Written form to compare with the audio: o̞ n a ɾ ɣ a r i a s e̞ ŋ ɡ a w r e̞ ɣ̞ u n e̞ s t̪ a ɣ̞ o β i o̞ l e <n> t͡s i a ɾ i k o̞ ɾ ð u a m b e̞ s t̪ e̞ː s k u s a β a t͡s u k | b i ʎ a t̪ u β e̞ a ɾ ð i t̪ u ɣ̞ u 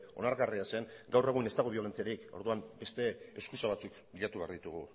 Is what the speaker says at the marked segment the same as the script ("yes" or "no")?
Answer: yes